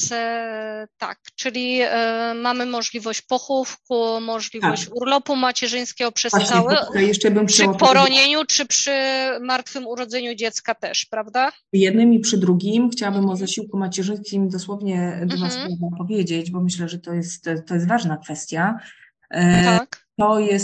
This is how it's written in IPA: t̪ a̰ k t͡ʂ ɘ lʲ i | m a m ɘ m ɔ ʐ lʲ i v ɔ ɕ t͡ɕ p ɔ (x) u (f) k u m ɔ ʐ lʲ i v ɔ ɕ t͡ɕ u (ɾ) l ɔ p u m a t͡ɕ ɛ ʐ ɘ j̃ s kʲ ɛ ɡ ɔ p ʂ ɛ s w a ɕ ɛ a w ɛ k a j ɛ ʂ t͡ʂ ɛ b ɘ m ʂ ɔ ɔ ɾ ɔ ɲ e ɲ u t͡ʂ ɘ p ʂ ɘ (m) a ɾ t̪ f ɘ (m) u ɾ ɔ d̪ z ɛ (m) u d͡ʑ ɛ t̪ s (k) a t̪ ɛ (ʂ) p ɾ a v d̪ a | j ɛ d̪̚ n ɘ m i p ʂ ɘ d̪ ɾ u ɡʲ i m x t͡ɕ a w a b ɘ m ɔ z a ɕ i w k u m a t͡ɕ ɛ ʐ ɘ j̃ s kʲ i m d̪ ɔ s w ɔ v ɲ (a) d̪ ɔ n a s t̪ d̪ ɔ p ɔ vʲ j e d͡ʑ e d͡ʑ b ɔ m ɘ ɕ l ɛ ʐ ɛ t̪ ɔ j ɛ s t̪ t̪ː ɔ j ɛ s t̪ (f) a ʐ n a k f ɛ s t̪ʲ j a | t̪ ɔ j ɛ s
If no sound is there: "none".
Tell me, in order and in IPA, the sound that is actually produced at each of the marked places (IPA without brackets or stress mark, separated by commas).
x, f, ɾ, m, m, ɲ, k, ʂ, ɛ, v